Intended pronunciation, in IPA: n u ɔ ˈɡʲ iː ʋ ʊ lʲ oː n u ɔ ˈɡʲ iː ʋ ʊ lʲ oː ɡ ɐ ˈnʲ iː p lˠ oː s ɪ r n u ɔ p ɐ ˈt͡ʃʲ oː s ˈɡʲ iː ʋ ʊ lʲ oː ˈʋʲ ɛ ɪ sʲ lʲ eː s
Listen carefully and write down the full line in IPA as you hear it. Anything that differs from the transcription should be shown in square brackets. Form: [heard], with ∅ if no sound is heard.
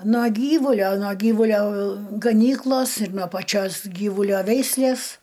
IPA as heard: n u ɔ ˈɡʲ iː ʋ ʊ lʲ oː n u ɔ ˈɡʲ iː ʋ ʊ lʲ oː ɡ ɐ ˈnʲ iː [k] lˠ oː s ɪ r n u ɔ p ɐ ˈt͡ʃʲ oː s ˈɡʲ iː ʋ ʊ lʲ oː ˈʋʲ ɛ ɪ sʲ lʲ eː s